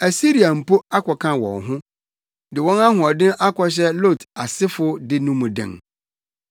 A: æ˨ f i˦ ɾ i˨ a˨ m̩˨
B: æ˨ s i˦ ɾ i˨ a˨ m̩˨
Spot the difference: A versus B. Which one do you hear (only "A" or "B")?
B